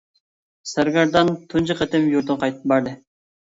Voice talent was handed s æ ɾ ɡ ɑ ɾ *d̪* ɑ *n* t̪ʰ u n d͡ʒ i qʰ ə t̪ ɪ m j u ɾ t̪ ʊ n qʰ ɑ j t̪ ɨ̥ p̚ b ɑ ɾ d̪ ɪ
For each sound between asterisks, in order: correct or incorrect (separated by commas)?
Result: correct, correct